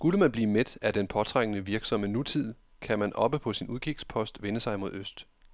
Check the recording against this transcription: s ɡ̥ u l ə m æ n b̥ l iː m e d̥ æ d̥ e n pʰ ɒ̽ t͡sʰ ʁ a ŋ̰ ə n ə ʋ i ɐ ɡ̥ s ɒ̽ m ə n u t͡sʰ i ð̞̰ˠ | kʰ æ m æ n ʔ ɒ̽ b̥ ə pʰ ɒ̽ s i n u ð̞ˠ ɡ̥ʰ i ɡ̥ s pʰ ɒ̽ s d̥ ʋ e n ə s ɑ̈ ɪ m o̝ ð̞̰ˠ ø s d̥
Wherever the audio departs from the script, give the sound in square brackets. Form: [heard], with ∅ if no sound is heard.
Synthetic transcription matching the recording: s ɡ̥ u l ə m æ n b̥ l iː m e d̥ æ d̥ e n pʰ ɒ̽ t͡sʰ ʁ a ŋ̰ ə n ə ʋ i ɐ ɡ̥ s ɒ̽ m ə n u t͡sʰ i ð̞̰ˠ | kʰ æ m æ n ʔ ɒ̽ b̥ ə pʰ ɒ̽ s i n u ð̞ˠ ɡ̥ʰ i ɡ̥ s pʰ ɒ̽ s d̥ ʋ e n ə s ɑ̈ ɪ m o̝ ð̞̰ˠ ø s d̥

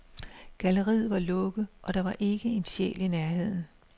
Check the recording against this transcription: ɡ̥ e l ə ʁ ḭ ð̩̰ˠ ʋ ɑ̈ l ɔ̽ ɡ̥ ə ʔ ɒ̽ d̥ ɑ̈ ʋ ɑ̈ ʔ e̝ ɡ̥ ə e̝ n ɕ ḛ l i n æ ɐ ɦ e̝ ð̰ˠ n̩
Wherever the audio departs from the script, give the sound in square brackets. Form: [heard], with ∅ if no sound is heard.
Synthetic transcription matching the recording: ɡ̥ [æ] l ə ʁ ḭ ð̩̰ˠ ʋ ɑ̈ l ɔ̽ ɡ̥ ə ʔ ɒ̽ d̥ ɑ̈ ʋ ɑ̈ ʔ e̝ ɡ̥ ə e̝ n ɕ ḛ l i n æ ɐ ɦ e̝ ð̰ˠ n̩

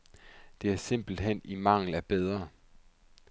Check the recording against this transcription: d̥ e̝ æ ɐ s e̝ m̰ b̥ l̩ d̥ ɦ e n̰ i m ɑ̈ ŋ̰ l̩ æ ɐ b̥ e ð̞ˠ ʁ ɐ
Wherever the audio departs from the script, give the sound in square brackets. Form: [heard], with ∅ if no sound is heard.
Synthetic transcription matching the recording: d̥ e̝ æ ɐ s e̝ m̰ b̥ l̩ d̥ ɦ e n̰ i m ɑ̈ ŋ̰ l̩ æ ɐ b̥ e ð̞ˠ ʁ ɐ

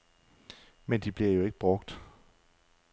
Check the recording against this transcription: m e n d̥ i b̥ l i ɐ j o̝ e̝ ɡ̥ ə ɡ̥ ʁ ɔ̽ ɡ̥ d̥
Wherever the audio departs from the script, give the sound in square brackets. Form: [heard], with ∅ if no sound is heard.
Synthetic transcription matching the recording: m e n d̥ i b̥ l i ɐ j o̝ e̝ ɡ̥ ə [b̥] ʁ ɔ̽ ɡ̥ d̥

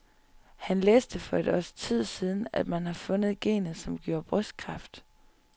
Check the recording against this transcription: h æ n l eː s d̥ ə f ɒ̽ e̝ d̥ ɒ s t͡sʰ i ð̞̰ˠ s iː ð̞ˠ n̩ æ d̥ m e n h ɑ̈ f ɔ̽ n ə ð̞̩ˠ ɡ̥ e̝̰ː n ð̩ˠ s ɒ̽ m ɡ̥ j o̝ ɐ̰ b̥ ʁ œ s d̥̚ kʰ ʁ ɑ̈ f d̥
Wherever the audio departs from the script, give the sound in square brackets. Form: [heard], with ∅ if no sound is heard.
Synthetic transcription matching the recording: h æ n l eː s d̥ ə f ɒ̽ e̝ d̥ ɒ s t͡sʰ i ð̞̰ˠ s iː ð̞ˠ n̩ æ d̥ m [æ] n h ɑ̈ f ɔ̽ n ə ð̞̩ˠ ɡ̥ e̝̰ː n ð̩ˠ s ɒ̽ m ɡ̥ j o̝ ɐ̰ b̥ ʁ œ s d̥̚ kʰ ʁ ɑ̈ f d̥

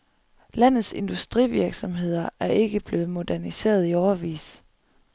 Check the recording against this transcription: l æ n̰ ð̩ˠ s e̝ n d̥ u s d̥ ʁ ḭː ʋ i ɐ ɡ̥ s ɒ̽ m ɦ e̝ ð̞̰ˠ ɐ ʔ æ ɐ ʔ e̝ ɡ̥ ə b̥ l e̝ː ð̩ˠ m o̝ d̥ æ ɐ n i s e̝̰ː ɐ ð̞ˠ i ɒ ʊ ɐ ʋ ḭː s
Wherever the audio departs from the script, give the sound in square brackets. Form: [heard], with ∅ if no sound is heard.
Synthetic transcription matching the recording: l æ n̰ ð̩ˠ s e̝ n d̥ u s d̥ ʁ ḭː ʋ i ɐ ɡ̥ s ɒ̽ m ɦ e̝ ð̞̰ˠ ɐ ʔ æ ɐ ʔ e̝ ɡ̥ ə b̥ l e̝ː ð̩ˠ m o̝ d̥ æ ɐ n i s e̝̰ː ɐ ð̞ˠ i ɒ ʊ ɐ ʋ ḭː s

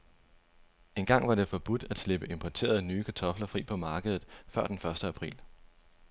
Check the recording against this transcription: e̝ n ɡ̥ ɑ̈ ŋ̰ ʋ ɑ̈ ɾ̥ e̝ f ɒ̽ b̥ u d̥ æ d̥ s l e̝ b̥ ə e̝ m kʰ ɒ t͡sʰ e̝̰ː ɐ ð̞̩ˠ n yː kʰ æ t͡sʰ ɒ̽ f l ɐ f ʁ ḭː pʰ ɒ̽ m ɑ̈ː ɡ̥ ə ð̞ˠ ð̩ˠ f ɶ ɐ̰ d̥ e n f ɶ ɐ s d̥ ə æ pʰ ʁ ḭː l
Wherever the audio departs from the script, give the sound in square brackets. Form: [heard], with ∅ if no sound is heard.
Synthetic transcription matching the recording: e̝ n ɡ̥ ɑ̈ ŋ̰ ʋ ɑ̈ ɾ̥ e̝ f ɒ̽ b̥ u d̥ æ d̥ s l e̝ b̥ ə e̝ m [pʰ] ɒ t͡sʰ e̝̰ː ɐ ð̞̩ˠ n yː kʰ æ t͡sʰ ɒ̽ f l ɐ f ʁ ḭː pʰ ɒ̽ m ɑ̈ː ɡ̥ ə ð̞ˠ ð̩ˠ f ɶ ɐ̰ d̥ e n f ɶ ɐ s d̥ ə æ pʰ ʁ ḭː l

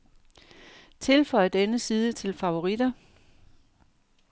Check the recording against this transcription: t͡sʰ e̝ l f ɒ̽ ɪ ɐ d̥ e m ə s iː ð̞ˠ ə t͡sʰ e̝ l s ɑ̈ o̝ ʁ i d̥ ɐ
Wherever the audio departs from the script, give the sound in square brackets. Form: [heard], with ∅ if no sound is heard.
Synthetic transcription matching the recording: t͡sʰ e̝ l f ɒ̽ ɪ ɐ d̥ e [n] ə s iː ð̞ˠ ə t͡sʰ e̝ l [f] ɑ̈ o̝ ʁ i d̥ ɐ

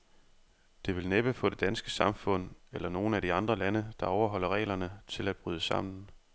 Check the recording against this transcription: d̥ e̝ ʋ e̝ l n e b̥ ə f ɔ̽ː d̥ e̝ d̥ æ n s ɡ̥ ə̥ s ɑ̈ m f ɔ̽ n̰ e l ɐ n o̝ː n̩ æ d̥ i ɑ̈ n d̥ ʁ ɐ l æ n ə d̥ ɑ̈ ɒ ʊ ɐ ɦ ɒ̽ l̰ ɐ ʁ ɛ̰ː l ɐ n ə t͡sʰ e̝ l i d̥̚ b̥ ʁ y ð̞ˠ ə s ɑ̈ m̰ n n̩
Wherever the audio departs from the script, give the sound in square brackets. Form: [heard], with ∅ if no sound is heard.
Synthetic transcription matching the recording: d̥ e̝ ʋ e̝ l n e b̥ ə f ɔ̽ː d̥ e̝ d̥ æ n s ɡ̥ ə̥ s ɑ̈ m f ɔ̽ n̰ e l ɐ n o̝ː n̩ æ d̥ i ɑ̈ n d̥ ʁ ɐ l æ n ə d̥ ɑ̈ ɒ ʊ ɐ ɦ ɒ̽ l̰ ɐ ʁ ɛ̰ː l ɐ n ə t͡sʰ e̝ l [æ] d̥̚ b̥ ʁ y ð̞ˠ ə s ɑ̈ m̰ n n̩

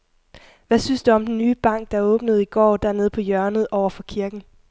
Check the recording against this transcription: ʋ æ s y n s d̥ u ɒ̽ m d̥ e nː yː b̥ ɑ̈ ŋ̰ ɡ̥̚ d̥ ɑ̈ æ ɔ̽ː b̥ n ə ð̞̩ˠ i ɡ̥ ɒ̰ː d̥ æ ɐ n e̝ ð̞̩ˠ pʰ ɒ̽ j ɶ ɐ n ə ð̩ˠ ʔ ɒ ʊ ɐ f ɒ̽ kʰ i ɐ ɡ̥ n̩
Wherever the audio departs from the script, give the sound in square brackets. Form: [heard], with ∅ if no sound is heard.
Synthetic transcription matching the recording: ʋ æ s y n s d̥ u ɒ̽ m d̥ e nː yː b̥ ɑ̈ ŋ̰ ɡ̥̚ d̥ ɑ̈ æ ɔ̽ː b̥ n ə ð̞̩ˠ i ɡ̥ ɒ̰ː d̥ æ ɐ n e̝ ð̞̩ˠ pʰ ɒ̽ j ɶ ɐ n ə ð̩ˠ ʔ ɒ ʊ ɐ f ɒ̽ kʰ i ɐ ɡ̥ n̩

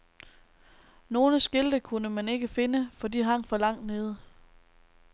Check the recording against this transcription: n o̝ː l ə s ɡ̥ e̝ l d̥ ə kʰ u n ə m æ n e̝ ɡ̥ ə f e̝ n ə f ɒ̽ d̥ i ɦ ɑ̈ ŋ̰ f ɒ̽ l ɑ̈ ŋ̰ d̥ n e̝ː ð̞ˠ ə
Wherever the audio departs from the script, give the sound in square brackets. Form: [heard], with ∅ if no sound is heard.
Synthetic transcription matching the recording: n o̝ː l ə s ɡ̥ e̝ l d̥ ə kʰ u n ə m æ n e̝ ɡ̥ ə f e̝ n ə f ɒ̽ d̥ i ɦ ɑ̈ ŋ̰ f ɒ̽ l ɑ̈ ŋ̰ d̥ n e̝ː ð̞ˠ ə

